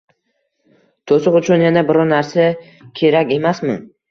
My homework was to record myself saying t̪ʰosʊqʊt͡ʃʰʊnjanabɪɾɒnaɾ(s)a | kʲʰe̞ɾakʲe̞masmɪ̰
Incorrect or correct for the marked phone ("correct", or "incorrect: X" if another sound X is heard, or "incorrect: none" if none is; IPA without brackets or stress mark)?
correct